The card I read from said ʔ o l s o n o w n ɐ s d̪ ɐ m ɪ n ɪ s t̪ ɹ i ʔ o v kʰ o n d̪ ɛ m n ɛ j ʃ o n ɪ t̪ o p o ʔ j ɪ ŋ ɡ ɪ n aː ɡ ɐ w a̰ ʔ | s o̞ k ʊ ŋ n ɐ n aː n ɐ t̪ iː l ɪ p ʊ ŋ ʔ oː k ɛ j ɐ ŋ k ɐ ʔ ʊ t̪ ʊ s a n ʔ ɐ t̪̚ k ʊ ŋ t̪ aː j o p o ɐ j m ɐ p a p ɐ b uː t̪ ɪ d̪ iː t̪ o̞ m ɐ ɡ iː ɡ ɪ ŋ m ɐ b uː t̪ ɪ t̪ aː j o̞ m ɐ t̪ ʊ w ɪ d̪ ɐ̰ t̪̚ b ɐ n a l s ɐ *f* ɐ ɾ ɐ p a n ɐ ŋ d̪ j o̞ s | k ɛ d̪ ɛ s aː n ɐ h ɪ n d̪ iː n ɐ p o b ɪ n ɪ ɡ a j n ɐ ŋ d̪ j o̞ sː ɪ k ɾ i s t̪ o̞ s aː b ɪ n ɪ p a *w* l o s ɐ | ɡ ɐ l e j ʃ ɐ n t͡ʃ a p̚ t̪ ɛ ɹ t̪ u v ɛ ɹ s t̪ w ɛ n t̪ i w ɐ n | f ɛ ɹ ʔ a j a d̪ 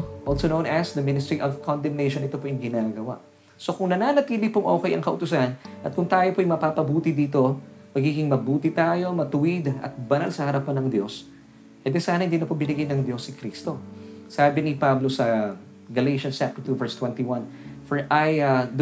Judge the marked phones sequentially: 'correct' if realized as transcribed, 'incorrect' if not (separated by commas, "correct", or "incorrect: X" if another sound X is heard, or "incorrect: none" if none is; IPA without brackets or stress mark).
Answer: incorrect: h, incorrect: b